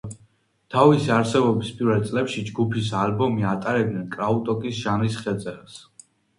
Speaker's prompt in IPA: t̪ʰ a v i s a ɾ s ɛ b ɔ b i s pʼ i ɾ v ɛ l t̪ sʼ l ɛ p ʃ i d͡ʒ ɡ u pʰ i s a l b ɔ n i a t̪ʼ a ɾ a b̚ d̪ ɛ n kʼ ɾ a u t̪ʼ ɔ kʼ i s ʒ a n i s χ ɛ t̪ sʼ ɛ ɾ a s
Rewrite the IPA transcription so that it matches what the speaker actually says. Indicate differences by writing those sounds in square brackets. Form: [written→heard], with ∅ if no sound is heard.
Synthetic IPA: t̪ʰ a v i s a ɾ s ɛ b ɔ b i s pʼ i ɾ v ɛ l t̪ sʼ l ɛ p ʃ i d͡ʒ ɡ u pʰ i s a l b ɔ [n→m] i a t̪ʼ a ɾ [a→ɛ] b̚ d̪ ɛ n kʼ ɾ a u t̪ʼ ɔ kʼ i s ʒ a n i s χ ɛ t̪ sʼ ɛ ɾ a s